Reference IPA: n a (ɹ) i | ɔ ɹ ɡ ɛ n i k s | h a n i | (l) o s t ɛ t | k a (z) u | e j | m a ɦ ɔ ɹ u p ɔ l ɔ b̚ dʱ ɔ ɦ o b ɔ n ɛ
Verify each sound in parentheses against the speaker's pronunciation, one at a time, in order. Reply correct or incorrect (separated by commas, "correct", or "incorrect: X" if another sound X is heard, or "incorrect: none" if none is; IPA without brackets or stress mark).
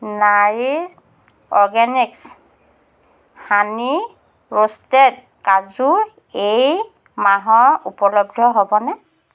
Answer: correct, incorrect: ɹ, correct